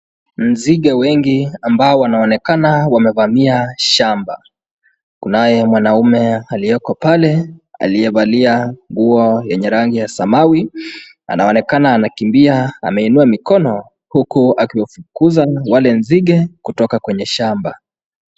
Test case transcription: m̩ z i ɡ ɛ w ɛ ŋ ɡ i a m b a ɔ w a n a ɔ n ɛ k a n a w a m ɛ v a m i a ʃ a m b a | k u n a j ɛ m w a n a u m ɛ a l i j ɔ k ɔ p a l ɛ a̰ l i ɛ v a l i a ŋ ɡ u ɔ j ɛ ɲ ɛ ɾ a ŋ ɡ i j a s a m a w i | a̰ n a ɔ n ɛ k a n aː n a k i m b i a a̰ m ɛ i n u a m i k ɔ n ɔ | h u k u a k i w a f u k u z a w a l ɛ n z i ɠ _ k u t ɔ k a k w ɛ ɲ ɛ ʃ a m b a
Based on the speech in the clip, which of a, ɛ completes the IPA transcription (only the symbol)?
ɛ